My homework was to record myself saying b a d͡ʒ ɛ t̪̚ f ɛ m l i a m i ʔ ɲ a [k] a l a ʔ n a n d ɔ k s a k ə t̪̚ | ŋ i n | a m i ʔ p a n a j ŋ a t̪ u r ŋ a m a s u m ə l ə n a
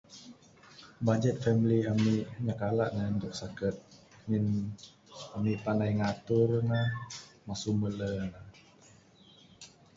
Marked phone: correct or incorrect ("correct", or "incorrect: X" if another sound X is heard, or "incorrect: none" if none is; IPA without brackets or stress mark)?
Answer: correct